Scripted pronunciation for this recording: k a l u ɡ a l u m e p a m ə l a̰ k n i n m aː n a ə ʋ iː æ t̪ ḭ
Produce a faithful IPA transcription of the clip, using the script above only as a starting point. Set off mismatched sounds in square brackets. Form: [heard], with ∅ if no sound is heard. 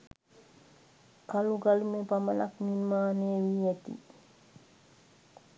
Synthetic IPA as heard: k a l u ɡ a l u m e p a m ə l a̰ k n i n m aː n [e] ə ʋ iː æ t̪ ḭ